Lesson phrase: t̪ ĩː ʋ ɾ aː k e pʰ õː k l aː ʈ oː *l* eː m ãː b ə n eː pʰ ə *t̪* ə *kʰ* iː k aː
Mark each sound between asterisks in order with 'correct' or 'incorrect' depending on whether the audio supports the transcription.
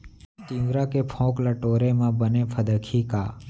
incorrect: ɾ, incorrect: d̪, correct

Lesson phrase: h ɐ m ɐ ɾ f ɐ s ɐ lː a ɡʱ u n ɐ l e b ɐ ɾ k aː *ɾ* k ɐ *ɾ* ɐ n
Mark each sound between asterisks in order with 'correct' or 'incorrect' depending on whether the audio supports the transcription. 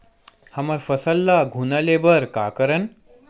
incorrect: none, correct

